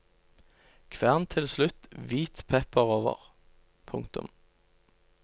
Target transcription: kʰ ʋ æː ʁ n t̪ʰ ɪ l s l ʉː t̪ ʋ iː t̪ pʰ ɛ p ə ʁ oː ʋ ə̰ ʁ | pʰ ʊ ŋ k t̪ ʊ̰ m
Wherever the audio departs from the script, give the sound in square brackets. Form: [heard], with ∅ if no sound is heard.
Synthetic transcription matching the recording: kʰ ʋ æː ʁ n t̪ʰ ɪ l s l [ʉ] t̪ ʋ iː t̪ pʰ ɛ p ə ʁ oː ʋ ə̰ ʁ | pʰ ʊ ŋ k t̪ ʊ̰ m